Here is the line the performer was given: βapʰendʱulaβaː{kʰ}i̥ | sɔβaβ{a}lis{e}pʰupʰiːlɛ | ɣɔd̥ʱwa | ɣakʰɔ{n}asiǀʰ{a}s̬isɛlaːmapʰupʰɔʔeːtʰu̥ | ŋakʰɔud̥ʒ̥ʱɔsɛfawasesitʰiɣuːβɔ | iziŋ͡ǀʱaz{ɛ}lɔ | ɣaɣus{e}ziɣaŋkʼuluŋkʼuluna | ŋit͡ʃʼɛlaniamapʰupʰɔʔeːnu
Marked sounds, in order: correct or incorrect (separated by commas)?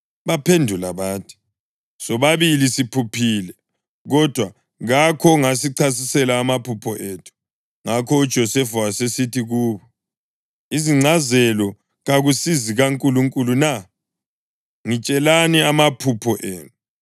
incorrect, incorrect, incorrect, incorrect, correct, correct, incorrect